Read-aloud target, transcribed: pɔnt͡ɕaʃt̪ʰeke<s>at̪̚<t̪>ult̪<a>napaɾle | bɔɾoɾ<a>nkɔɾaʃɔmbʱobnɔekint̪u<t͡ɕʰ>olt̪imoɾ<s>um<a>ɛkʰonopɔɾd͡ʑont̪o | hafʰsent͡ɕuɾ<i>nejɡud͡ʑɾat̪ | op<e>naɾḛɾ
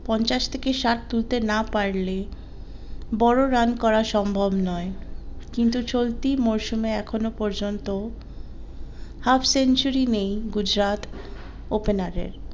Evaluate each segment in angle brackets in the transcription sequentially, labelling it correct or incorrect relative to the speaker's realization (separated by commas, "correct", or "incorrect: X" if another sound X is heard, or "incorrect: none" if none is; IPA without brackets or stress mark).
incorrect: ʃ, correct, incorrect: e, correct, incorrect: t͡ɕ, incorrect: ʃ, incorrect: e, correct, correct